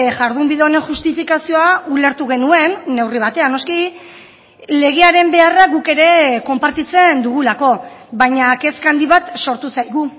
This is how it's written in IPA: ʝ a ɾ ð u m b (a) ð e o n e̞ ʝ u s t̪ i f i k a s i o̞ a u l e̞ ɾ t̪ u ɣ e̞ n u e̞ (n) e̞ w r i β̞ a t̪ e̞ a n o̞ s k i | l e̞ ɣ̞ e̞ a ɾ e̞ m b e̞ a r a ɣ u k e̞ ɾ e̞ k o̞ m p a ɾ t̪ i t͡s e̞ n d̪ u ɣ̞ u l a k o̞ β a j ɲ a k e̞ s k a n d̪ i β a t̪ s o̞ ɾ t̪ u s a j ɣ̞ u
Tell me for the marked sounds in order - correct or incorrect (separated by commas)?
incorrect, incorrect